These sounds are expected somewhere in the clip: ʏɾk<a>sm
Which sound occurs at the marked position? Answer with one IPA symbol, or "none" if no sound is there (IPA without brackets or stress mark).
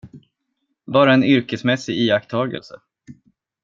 ə